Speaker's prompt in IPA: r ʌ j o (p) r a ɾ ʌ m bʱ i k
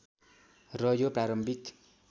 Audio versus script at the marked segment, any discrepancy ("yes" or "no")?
no